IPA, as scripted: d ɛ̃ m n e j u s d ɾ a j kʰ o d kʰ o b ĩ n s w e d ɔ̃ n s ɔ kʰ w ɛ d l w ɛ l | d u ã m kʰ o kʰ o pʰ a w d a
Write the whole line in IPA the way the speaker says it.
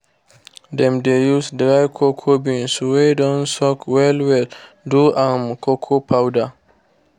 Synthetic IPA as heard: d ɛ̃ m d e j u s d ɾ a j kʰ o kʰ o b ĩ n s w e d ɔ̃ n s ɔ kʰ w ɛ l w ɛ l | d u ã m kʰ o kʰ o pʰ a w d a